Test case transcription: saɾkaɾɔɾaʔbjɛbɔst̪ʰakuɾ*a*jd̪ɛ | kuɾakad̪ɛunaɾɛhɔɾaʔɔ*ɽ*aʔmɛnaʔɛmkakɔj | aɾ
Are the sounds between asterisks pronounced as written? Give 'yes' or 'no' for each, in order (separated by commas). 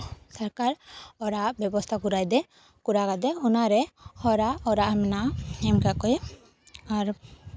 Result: yes, no